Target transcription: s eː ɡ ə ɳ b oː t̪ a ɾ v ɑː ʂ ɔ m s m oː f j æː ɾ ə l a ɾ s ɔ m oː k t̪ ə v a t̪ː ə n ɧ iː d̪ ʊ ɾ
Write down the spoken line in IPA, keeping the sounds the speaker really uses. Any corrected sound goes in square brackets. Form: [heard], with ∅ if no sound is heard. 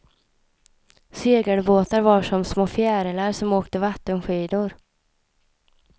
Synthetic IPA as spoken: s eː ɡ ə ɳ b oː t̪ a ɾ v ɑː ʂ ɔ m s m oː f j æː ɾ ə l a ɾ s ɔ m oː k t̪ ə v a t̪ː ə n ɧ iː d̪ ʊ ɾ